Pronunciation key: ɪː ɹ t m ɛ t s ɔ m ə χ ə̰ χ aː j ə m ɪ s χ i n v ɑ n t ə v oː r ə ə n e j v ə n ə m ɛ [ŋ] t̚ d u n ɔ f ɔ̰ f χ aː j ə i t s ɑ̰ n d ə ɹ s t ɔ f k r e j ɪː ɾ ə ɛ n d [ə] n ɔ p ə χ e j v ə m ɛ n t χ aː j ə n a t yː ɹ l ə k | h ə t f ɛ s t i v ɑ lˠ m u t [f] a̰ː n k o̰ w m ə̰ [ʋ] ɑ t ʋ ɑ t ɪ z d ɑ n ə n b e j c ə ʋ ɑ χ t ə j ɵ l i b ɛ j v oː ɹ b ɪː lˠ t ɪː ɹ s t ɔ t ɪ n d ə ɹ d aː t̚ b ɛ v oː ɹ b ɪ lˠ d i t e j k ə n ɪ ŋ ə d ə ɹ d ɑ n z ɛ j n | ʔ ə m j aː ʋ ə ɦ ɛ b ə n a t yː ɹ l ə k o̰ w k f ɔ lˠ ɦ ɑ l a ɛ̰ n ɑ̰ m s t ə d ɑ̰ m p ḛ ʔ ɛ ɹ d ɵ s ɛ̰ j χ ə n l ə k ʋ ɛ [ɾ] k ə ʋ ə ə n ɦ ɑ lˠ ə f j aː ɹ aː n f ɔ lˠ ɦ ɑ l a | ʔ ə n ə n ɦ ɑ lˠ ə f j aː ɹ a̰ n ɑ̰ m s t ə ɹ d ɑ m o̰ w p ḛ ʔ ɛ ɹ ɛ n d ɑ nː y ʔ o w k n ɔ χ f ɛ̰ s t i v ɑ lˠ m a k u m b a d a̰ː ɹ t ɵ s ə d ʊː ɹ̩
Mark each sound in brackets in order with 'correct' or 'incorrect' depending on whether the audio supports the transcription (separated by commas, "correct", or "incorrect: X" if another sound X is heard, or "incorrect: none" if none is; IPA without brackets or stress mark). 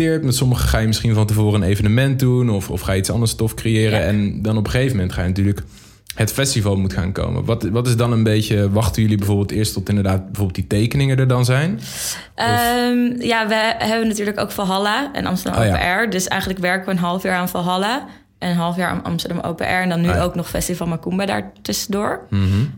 incorrect: n, incorrect: ɑ, incorrect: χ, correct, incorrect: ɹ